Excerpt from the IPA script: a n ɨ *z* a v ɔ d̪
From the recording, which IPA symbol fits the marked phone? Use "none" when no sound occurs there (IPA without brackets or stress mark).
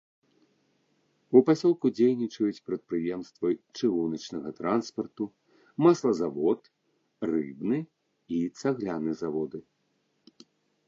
z